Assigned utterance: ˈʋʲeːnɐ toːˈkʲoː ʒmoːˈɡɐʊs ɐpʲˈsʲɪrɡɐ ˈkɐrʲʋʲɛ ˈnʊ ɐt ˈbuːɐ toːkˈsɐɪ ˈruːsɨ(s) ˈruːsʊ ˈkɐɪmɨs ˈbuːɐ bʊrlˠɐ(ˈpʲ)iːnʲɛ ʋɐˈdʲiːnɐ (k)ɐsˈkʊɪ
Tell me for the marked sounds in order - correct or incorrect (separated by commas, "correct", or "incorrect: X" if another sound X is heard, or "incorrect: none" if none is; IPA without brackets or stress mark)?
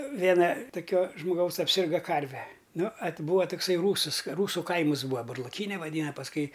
correct, incorrect: kʲ, incorrect: p